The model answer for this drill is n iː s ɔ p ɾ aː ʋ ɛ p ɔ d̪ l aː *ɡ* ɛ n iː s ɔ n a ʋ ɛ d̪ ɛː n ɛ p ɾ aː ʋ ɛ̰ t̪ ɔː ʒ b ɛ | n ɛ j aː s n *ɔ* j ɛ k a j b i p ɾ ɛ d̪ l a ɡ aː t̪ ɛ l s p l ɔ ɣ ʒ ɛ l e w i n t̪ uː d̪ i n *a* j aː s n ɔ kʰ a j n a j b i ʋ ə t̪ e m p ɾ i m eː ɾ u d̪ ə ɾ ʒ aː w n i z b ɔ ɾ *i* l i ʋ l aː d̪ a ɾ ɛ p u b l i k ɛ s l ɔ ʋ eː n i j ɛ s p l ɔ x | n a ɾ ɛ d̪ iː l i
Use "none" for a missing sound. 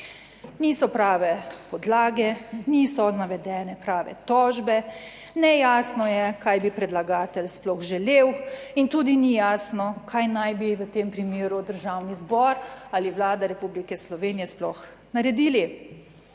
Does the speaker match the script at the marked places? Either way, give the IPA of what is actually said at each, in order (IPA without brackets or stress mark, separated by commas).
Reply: ɡ, ɔ, i, a